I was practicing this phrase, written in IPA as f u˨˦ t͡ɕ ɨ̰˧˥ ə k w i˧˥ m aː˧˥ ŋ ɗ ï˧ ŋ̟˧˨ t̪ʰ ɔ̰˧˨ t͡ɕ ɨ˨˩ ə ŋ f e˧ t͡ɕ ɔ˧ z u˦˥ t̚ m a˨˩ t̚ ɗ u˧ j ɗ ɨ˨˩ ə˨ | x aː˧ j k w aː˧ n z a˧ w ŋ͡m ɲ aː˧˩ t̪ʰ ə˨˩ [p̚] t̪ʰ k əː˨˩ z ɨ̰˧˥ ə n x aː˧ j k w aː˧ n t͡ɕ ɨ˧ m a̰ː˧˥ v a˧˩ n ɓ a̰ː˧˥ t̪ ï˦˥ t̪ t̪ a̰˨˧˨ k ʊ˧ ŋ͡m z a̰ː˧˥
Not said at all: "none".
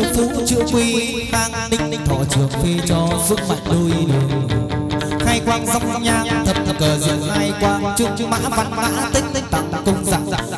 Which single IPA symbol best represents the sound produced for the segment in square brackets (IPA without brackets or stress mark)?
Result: p̚